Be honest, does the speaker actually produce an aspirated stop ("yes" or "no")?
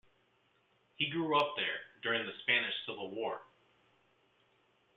no